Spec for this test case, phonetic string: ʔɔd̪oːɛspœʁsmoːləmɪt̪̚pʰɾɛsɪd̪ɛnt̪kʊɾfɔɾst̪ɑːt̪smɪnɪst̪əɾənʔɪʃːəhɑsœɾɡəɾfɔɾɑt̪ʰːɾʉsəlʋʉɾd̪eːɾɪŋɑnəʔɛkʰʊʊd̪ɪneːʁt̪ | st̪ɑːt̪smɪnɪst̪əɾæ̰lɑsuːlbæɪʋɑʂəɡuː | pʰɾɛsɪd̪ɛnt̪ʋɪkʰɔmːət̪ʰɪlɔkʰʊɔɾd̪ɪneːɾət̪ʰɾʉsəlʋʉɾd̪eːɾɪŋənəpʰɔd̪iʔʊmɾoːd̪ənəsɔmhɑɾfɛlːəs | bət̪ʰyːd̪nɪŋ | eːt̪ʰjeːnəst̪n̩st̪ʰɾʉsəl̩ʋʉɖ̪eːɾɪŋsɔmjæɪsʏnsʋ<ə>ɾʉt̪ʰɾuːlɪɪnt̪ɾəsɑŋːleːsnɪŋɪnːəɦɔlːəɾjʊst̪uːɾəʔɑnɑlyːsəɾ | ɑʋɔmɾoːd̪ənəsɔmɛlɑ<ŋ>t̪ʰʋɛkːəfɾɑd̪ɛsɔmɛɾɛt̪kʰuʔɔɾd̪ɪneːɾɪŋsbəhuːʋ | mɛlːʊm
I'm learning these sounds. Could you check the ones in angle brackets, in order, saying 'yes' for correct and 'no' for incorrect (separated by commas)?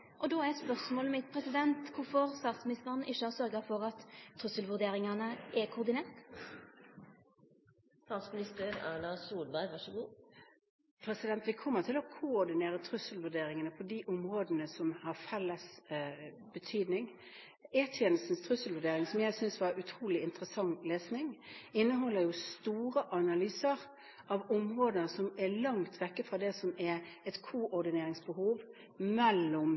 no, yes